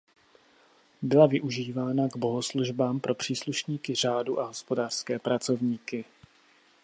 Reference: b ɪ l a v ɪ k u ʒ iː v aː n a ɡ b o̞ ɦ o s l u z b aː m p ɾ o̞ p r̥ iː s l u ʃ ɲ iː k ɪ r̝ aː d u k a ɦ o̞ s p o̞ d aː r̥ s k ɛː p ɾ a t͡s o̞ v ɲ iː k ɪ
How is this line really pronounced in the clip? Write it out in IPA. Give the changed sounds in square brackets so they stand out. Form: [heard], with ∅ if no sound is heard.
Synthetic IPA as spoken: b ɪ l a v ɪ [ʔ] u ʒ iː v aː n a ɡ b o̞ ɦ o s l u [ʒ] b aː m p ɾ o̞ p r̥ iː s l u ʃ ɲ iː k ɪ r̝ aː d u [ʔ] a ɦ o̞ s p o̞ d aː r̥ s k ɛː p ɾ a t͡s o̞ v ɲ iː k ɪ